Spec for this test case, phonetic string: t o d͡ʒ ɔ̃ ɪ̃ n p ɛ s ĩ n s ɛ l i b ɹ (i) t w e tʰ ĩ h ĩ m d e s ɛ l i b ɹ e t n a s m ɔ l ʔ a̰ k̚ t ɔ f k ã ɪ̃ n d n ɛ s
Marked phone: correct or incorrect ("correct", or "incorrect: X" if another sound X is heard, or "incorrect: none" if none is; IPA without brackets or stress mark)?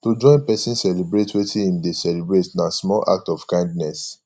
incorrect: e